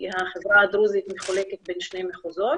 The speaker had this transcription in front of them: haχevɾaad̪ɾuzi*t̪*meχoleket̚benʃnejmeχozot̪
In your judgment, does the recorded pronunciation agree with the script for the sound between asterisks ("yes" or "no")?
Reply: yes